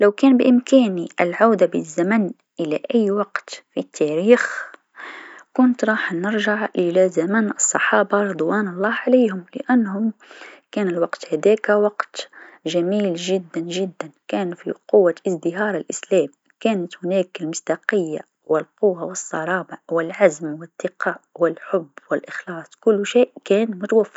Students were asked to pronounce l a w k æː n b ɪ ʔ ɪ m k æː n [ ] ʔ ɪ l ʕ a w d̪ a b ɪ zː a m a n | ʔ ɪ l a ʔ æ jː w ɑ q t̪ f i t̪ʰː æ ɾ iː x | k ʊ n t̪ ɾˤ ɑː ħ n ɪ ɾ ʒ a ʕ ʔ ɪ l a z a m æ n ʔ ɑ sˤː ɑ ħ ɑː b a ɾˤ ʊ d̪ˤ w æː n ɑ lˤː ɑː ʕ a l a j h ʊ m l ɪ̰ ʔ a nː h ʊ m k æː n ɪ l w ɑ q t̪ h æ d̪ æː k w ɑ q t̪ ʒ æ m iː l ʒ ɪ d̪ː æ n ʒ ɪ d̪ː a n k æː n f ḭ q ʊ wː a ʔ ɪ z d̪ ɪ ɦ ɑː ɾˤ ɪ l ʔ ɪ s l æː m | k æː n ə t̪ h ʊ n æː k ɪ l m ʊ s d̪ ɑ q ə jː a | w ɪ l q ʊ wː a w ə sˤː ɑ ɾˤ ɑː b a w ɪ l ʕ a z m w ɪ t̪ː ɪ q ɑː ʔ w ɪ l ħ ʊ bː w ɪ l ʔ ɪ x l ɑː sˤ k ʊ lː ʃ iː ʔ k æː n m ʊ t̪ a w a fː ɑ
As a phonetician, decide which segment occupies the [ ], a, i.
i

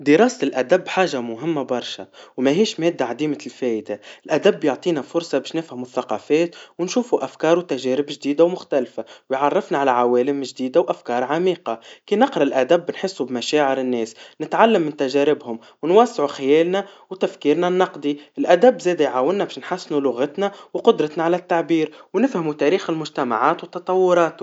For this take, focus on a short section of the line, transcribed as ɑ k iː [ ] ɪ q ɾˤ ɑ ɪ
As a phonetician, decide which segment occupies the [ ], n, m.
n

